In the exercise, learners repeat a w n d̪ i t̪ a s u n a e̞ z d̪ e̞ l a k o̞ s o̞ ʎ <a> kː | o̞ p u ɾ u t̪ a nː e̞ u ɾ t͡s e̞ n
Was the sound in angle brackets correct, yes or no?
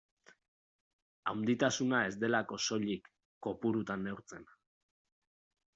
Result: no